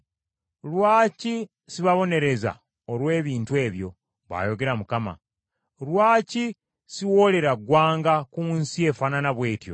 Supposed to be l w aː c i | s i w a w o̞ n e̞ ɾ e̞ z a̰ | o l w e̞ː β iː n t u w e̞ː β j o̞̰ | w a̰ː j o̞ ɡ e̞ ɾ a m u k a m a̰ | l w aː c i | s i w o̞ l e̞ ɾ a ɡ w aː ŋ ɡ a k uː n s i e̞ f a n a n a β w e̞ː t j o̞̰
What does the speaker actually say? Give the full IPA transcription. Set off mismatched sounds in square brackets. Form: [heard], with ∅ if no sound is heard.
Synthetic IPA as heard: l w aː c i | s i [β] a [β] o̞ n e̞ ɾ e̞ z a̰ | o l w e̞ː β iː n t u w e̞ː β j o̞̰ | [β] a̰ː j o̞ ɡ e̞ ɾ a m u k a m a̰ | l w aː c i | s i w o̞ l e̞ ɾ a ɡ w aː ŋ ɡ a k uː n s i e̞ f a n a n a β w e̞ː t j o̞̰